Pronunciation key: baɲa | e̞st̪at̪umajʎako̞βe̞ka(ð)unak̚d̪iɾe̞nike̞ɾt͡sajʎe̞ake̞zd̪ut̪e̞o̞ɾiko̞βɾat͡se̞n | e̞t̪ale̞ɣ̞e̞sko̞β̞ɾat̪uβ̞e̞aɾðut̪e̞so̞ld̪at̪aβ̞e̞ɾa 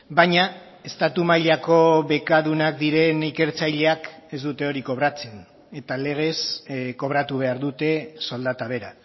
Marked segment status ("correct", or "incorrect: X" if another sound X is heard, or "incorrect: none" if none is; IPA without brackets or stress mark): correct